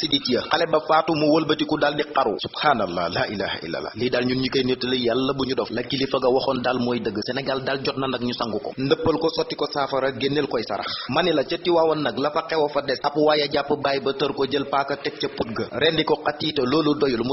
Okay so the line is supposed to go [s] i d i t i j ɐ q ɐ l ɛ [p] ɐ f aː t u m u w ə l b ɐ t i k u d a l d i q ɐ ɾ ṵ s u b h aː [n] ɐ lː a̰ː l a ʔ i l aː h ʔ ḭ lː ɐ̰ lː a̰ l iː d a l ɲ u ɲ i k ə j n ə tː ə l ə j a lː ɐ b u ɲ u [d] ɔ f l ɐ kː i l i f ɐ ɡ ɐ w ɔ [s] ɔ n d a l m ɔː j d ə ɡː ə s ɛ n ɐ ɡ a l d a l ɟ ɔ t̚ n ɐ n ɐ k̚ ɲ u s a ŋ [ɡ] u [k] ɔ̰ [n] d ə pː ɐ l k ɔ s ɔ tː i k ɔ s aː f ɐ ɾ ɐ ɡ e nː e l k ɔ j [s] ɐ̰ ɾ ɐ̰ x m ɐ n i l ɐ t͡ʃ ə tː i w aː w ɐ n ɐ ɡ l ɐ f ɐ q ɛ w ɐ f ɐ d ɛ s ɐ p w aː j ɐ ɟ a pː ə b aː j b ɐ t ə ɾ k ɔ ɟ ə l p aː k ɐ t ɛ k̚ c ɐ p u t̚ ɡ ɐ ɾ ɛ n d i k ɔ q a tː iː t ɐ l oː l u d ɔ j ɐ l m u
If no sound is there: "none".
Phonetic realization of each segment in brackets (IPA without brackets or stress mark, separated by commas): s, b, n, d, x, ɡ, k, n, s